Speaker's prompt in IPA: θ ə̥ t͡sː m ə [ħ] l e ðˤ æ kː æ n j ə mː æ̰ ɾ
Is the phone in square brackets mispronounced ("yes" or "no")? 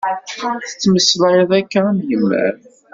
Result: yes